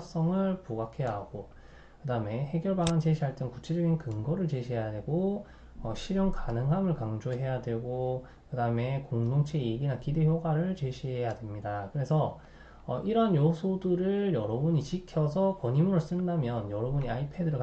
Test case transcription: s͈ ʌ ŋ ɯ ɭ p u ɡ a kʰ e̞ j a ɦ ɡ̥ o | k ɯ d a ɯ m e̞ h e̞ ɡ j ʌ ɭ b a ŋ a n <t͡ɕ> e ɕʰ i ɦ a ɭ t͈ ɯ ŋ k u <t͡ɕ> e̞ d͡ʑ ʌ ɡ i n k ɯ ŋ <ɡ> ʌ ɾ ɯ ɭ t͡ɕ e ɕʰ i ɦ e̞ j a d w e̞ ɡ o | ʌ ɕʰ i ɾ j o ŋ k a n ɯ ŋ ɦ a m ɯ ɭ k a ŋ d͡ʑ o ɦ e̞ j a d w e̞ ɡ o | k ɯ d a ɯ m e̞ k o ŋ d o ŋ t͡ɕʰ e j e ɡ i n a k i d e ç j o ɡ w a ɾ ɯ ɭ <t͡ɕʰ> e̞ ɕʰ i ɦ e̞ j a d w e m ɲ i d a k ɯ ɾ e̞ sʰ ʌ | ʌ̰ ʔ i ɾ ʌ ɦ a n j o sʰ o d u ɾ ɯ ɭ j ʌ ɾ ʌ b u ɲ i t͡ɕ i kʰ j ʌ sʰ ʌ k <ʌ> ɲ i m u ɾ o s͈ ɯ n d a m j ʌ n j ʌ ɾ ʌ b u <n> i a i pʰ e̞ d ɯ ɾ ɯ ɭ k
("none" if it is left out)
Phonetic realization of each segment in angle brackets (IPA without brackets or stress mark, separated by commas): t͡ɕ, t͡ɕʰ, ɡ, t͡ɕ, ʌ, ɲ